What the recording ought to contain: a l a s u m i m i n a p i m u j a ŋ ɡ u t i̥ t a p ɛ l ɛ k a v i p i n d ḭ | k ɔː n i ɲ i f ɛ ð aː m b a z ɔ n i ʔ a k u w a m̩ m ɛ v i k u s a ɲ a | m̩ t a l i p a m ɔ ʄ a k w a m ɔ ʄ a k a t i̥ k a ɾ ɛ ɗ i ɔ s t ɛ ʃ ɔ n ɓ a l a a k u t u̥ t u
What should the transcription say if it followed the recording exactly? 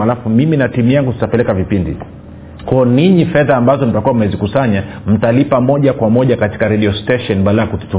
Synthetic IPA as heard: a l a f u m i m i n a t i m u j a ŋ ɡ u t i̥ t a p ɛ l ɛ k a v i p i n d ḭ | k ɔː n i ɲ i f ɛ ð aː m b a z ɔ n i t a k u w a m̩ m ɛ z i k u s a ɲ a | m̩ t a l i p a m ɔ ʄ a k w a m ɔ ʄ a k a t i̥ k a ɾ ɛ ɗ i ɔ s t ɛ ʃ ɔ n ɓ a l a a k u t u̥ t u